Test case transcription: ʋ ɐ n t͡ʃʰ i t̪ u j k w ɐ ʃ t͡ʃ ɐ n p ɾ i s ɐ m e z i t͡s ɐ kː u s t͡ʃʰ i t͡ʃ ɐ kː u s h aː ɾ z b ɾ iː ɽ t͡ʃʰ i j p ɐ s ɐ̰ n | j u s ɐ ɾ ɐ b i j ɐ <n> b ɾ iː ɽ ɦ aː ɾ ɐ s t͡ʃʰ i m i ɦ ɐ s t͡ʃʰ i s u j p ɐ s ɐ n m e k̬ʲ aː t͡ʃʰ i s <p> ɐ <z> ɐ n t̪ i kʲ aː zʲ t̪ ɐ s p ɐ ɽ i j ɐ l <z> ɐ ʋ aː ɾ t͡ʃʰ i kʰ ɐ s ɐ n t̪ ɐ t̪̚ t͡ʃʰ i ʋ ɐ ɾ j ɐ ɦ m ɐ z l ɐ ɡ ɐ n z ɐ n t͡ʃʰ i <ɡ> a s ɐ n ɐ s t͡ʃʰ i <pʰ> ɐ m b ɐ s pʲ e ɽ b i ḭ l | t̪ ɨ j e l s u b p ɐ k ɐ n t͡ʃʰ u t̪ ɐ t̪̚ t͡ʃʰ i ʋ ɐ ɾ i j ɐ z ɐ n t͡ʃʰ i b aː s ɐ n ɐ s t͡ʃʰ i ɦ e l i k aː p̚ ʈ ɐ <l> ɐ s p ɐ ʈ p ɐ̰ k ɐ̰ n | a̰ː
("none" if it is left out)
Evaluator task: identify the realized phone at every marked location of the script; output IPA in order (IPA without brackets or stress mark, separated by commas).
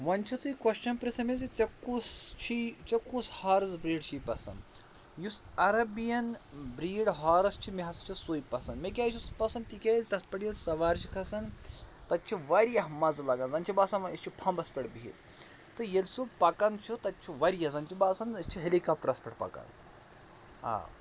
n, p, s, s, b, pʰ, ɾ